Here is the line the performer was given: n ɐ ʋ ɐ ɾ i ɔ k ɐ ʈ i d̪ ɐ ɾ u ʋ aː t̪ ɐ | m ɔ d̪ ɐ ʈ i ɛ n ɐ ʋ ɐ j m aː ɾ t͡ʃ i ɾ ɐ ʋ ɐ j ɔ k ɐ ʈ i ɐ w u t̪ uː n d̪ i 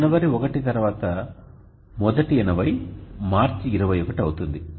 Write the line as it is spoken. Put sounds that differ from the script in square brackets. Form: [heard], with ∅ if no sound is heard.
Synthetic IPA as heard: n ɐ ʋ ɐ ɾ i ɔ k ɐ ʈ i [t̪] ɐ ɾ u ʋ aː t̪ ɐ | m ɔ d̪ ɐ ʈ i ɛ n ɐ ʋ ɐ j m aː ɾ t͡ʃ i ɾ ɐ ʋ ɐ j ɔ k ɐ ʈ i ɐ w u t̪ [u] n d̪ i